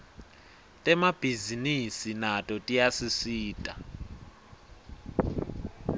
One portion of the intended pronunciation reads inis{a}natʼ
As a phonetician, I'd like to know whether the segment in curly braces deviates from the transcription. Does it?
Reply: yes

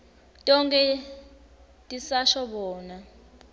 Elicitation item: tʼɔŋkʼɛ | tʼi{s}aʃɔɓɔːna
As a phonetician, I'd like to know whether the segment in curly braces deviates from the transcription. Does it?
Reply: no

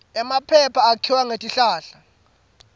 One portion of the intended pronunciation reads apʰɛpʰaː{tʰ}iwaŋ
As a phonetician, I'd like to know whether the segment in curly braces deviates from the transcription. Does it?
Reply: yes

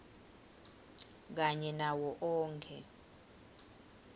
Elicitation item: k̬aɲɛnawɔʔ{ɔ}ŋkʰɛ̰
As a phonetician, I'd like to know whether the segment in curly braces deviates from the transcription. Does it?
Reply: yes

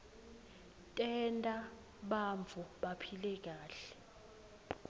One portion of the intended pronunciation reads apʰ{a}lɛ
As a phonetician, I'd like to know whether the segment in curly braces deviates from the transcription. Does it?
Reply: yes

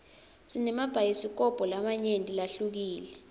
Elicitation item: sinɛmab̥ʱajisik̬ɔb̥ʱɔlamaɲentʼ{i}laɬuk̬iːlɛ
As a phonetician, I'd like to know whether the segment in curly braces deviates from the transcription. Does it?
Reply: no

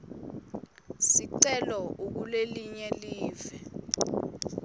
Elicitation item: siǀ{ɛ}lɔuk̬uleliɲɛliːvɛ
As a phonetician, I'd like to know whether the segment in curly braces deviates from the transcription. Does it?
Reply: no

